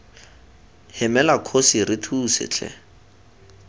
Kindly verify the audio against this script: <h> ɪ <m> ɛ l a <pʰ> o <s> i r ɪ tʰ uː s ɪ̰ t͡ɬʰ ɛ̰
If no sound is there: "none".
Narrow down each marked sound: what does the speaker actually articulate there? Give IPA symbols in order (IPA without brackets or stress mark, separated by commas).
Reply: h, m, kʰ, s